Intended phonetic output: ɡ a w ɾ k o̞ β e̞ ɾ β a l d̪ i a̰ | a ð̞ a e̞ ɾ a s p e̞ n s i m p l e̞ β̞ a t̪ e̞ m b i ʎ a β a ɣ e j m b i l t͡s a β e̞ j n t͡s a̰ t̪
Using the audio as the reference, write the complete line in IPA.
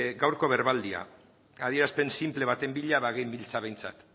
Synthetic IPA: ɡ a w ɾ k o̞ β e̞ ɾ β a l d̪ i a̰ | a ð̞ i e̞ ɾ a s p e̞ n s i m p l e̞ β̞ a t̪ e̞ m b i ʎ a β a ɣ e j m b i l t͡s a β e̞ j n t͡s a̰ t̪